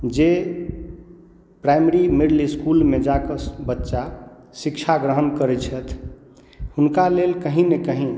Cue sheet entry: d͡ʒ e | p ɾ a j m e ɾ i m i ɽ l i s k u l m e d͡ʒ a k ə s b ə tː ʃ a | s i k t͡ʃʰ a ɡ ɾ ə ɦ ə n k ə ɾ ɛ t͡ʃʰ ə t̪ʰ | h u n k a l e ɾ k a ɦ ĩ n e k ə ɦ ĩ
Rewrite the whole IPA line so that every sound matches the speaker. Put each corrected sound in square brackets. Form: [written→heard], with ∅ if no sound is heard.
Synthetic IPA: d͡ʒ e | p ɾ a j m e ɾ i m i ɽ l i s k u l m e d͡ʒ a k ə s b ə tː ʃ a | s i k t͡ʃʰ a ɡ ɾ ə ɦ ə n k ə ɾ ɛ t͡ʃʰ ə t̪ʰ | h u n k a l e [ɾ→l] k [a→ə] ɦ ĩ n e k ə ɦ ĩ